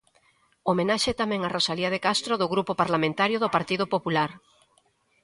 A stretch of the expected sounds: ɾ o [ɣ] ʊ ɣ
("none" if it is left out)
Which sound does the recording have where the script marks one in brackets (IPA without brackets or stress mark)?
ð